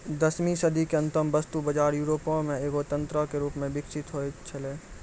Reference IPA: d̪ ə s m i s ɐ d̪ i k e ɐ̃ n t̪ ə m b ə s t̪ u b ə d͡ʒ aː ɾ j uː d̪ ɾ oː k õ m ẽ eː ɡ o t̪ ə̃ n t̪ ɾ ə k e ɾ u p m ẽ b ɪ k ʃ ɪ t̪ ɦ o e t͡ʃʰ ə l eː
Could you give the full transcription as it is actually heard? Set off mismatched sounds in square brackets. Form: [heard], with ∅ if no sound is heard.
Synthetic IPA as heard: d̪ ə s m i s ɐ d̪ i k e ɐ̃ n t̪ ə m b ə s t̪ u b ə d͡ʒ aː ɾ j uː [∅] ɾ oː [p] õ m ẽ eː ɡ o t̪ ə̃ n t̪ ɾ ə k e ɾ [uː] p m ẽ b ɪ k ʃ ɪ t̪ ɦ o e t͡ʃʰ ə l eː